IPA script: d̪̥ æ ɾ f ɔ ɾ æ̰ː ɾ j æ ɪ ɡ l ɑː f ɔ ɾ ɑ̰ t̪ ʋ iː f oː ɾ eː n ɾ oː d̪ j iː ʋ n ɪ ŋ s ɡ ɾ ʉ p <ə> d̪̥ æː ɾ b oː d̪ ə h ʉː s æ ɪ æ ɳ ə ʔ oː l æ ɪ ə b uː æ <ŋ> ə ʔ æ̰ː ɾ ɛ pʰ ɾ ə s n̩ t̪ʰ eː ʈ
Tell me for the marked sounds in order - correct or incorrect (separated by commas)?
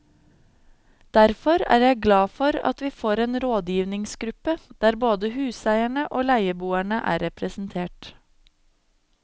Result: correct, incorrect